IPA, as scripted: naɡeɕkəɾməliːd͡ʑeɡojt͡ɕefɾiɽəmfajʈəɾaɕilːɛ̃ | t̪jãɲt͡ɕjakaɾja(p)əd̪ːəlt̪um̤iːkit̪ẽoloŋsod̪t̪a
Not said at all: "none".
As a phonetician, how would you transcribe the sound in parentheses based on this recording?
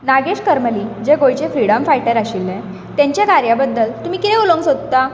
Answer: b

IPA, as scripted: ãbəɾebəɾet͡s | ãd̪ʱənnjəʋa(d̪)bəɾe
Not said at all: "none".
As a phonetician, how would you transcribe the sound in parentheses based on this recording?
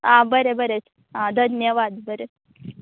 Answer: d̪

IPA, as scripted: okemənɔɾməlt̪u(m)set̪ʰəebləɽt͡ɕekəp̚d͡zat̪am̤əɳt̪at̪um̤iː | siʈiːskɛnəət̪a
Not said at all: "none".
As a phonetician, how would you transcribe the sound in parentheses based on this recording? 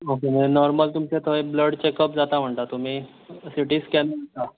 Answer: m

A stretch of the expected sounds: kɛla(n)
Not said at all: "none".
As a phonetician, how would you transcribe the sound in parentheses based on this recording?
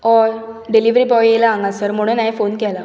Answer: none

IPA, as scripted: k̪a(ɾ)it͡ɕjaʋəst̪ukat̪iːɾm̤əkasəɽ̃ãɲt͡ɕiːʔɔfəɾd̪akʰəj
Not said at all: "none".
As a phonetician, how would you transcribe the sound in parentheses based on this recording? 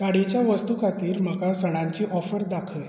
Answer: ɽ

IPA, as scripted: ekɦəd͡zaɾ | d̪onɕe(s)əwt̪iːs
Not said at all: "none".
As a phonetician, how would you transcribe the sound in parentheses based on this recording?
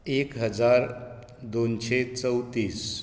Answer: t͡s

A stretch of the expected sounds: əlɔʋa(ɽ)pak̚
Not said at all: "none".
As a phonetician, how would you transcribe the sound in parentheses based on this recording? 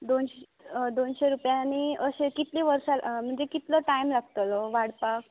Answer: ɽ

